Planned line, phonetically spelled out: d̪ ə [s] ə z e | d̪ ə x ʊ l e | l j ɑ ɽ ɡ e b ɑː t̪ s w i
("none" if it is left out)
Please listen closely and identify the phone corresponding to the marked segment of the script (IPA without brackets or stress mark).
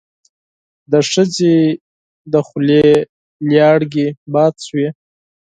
ʂ